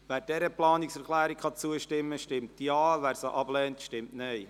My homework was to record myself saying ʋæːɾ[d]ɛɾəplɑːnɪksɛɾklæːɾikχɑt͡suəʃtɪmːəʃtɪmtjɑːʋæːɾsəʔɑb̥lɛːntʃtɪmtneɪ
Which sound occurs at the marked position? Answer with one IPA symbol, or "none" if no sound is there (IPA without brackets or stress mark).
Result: d